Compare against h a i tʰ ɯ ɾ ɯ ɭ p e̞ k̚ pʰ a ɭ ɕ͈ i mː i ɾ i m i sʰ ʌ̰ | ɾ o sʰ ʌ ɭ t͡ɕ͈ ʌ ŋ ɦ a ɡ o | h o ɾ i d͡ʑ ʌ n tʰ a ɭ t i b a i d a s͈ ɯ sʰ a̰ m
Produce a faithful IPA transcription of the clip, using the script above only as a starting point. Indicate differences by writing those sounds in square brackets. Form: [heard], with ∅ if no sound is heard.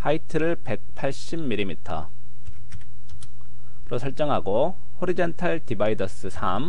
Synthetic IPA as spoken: h a i tʰ ɯ ɾ ɯ ɭ p e̞ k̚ pʰ a ɭ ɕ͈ i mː i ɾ i m i [tʰ] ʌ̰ | ɾ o sʰ ʌ ɭ t͡ɕ͈ ʌ ŋ ɦ a ɡ o | h o ɾ i d͡ʑ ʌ n tʰ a ɭ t i b a i d [ʌ] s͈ ɯ sʰ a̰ m

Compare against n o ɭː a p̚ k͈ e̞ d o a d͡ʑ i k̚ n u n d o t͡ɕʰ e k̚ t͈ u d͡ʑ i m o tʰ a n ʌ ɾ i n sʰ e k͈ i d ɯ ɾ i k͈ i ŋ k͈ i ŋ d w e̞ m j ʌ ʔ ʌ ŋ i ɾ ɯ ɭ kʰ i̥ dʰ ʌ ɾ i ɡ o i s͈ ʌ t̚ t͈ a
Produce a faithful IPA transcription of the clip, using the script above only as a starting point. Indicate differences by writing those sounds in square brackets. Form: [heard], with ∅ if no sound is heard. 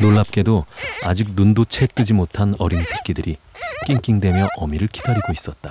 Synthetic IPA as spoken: n o ɭː a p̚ k͈ e̞ d o a d͡ʑ i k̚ n u n d o t͡ɕʰ e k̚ t͈ [ɯ] d͡ʑ i m o tʰ a n ʌ ɾ i n sʰ e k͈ i d ɯ ɾ i k͈ i ŋ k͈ i ŋ d w e̞ m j ʌ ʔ ʌ [m] i ɾ ɯ ɭ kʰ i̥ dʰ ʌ ɾ i ɡ o i s͈ ʌ t̚ t͈ a

